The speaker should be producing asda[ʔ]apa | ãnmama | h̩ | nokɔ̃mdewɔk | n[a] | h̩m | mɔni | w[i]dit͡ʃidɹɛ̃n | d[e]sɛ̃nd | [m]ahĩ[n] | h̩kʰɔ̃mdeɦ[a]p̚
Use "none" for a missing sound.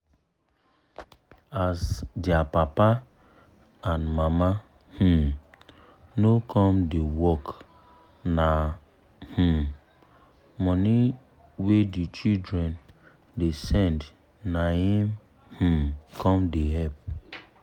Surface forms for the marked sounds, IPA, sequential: p, a, e, e, n, m, ɛ

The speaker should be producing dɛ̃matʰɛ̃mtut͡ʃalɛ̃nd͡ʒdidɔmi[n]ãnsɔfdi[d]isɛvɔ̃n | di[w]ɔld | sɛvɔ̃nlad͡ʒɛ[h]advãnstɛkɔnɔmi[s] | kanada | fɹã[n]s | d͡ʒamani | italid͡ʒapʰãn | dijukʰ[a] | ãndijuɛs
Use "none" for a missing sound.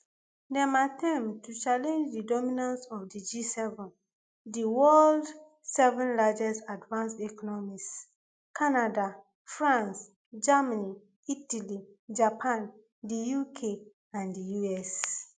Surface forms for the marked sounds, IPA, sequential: n, d͡ʒ, w, s, s, n, e

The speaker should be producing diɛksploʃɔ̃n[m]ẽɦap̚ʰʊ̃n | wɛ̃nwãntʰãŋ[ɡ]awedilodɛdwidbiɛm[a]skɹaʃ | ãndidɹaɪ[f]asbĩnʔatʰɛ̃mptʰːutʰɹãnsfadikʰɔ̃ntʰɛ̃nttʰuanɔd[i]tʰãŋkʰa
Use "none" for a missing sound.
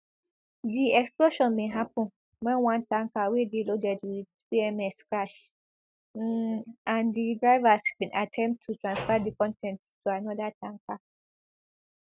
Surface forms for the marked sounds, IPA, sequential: m, k, ɛ, v, a

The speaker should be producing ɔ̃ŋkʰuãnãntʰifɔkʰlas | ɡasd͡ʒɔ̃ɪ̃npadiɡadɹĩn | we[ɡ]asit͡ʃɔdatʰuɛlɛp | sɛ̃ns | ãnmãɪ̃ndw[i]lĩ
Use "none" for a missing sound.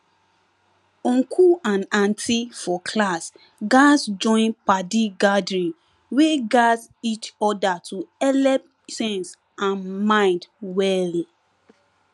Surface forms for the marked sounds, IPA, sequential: ɡ, ɛ

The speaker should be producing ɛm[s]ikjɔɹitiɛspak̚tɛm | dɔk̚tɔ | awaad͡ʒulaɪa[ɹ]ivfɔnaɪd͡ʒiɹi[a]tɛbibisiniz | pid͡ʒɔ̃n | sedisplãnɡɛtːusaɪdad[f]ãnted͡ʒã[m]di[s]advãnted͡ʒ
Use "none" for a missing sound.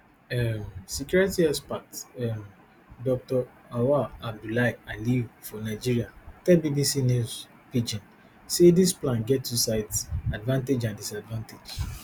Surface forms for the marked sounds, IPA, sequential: s, l, a, v, n, s

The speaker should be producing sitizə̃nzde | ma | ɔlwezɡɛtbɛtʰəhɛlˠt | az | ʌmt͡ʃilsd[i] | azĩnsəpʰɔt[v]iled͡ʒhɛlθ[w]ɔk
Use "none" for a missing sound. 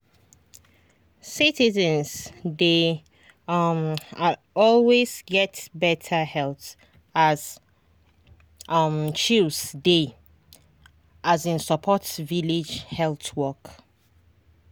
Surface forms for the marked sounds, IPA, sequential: e, v, w

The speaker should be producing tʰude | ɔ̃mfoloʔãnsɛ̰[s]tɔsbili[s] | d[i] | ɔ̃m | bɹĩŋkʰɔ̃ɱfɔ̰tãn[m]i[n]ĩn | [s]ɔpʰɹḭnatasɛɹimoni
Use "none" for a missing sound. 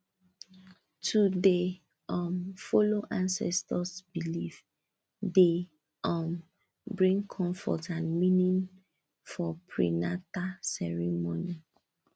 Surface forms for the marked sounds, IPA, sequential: s, f, e, m, n, f

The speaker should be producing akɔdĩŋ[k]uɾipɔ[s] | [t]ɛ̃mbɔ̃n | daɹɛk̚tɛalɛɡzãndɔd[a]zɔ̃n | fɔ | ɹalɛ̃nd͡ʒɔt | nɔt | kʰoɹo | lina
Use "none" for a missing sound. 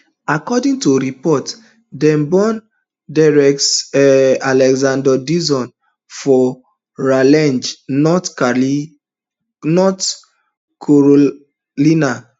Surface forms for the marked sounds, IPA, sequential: t, t, d, i

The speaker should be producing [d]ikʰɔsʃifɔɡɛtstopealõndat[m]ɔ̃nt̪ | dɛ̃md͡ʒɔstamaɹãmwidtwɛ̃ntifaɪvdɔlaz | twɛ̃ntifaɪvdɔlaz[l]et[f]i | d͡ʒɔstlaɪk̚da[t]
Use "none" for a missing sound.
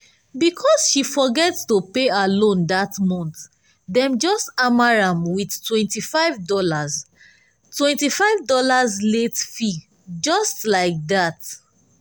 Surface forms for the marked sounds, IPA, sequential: b, m, l, f, t

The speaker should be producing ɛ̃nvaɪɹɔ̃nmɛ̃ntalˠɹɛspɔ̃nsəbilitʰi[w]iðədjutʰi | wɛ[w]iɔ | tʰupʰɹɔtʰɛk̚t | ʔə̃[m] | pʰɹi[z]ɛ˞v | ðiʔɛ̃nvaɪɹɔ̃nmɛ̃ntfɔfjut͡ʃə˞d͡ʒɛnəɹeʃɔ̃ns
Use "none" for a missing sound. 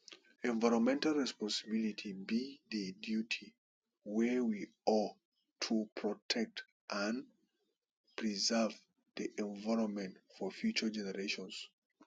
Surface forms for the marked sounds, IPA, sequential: b, w, n, z

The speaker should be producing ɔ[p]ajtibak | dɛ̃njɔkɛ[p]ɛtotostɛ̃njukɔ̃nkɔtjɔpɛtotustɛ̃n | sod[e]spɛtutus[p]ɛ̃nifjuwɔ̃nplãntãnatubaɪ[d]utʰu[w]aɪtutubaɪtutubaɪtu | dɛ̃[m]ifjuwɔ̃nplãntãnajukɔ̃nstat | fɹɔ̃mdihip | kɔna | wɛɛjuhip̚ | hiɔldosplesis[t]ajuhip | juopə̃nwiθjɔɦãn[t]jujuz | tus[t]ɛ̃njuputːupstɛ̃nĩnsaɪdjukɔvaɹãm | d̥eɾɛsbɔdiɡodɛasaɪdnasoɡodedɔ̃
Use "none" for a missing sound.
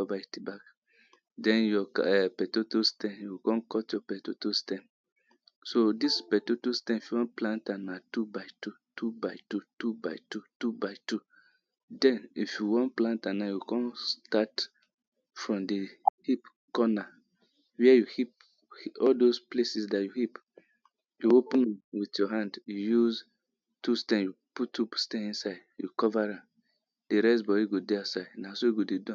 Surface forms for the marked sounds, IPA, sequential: b, p, i, t, t, b, n, d, d, t

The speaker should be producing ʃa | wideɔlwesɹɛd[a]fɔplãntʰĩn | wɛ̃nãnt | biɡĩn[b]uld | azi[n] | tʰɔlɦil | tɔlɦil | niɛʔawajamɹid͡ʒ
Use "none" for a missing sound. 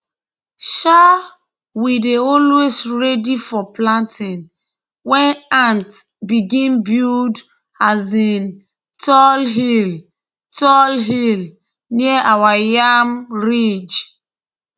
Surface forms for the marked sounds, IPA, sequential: i, b, n

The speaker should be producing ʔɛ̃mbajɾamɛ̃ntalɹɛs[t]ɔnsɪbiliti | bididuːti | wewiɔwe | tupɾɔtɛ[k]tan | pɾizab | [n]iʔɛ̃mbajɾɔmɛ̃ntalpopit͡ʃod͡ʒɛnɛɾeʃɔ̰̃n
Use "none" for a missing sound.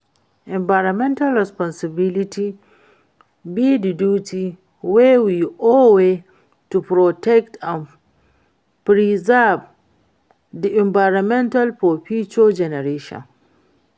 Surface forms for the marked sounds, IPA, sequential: p, k, d

